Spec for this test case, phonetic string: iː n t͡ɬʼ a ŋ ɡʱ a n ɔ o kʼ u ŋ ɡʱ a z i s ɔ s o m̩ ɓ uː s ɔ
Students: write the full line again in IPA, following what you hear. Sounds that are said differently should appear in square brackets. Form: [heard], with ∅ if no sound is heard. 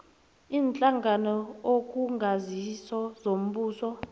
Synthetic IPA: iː n t͡ɬʼ a ŋ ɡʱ a n ɔ o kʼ u ŋ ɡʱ a z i s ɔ [z] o m̩ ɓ uː s ɔ